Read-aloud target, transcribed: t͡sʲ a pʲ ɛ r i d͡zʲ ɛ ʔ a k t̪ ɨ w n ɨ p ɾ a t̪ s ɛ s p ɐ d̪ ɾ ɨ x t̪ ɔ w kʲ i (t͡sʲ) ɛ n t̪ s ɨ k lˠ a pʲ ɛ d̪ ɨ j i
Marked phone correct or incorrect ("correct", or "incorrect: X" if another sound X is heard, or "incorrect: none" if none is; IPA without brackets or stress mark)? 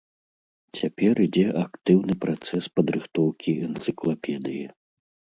incorrect: none